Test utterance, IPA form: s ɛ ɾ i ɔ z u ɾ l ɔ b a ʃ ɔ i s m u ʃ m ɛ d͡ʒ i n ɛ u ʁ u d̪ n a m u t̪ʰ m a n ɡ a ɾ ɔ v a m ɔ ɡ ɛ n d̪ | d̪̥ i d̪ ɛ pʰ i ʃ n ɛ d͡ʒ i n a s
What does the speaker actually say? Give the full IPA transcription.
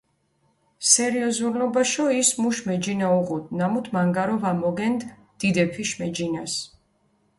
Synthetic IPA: s ɛ ɾ i ɔ z u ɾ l ɔ b a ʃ ɔ i s m u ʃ m ɛ d͡ʒ i n a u ʁ u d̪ n a m u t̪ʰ m a ŋ ɡ a ɾ ɔ v a m ɔ ɡ ɛ n d̪ | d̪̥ i d̪ ɛ pʰ i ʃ m ɛ d͡ʒ i n a s